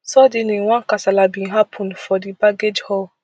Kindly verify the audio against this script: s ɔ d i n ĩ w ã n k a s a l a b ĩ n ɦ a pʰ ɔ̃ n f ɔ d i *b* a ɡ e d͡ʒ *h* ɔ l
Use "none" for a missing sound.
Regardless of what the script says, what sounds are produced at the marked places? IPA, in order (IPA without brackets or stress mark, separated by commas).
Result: b, h